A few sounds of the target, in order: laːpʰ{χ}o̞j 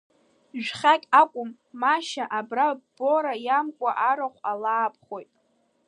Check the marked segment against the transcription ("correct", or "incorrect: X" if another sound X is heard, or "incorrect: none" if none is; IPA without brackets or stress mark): correct